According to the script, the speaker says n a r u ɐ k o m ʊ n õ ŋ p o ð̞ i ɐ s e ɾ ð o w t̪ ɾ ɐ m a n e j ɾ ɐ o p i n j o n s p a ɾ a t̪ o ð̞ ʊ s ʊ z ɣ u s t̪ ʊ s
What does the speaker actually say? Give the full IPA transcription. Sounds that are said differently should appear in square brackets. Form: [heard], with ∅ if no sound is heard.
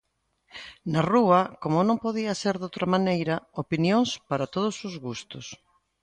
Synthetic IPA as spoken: n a r u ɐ k o m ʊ n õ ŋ p o ð̞ i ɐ s e ɾ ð o w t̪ ɾ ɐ m a n e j ɾ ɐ o p i n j o [ŋ] s p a ɾ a t̪ o ð̞ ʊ s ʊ z ɣ u s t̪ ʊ s